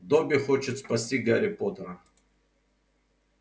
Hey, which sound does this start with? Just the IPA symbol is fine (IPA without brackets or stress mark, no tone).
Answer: d̪